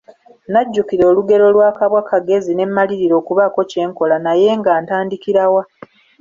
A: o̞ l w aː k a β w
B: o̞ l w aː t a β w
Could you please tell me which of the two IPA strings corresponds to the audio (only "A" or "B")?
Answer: A